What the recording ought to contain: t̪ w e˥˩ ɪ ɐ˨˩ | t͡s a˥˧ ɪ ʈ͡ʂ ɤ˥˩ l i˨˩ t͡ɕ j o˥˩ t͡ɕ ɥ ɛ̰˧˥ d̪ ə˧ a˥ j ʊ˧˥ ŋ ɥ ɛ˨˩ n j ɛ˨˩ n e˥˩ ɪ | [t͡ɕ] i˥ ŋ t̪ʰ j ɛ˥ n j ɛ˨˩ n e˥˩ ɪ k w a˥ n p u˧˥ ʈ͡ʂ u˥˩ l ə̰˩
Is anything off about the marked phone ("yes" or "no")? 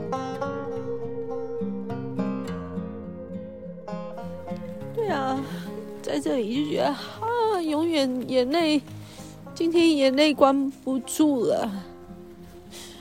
no